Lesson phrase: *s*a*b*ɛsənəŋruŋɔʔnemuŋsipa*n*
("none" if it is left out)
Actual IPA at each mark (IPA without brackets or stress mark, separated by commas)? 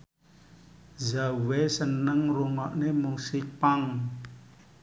z, w, ŋ